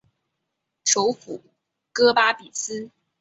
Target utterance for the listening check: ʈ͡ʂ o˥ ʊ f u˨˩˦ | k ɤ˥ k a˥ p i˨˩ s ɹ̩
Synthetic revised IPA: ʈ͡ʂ o˧˥ ʊ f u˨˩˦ | k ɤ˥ p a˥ p i˨˩ s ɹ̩